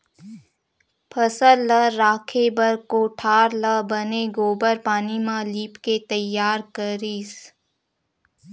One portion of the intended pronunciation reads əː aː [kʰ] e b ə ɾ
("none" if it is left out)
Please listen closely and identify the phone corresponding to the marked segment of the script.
kʰ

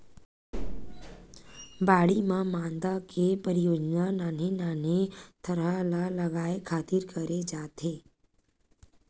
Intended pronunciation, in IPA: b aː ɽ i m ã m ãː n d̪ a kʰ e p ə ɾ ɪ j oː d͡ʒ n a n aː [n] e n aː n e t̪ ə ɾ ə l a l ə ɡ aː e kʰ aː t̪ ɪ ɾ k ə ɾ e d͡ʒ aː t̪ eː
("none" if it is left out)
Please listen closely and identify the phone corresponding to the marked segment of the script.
n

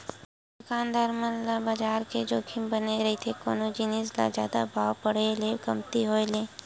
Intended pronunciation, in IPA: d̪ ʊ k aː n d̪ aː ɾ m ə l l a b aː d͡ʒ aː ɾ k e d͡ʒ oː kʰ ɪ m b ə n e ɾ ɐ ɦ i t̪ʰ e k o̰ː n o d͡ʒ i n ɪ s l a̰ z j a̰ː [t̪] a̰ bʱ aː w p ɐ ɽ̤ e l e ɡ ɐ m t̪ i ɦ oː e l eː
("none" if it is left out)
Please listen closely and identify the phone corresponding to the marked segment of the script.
d̪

